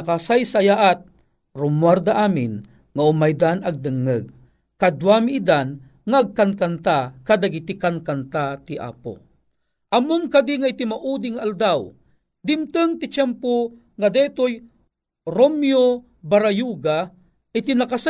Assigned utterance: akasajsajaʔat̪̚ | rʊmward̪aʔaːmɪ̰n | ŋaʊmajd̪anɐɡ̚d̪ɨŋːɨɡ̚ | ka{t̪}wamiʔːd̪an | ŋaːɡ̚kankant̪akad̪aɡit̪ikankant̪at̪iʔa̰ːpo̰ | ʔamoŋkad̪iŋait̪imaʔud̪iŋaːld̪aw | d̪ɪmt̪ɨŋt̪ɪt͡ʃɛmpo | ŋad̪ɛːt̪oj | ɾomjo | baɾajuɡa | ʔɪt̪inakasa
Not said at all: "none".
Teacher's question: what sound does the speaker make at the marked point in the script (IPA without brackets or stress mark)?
d̪